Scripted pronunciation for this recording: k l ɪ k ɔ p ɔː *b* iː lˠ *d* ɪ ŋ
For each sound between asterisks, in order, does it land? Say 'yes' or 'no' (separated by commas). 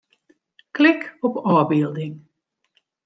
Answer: yes, yes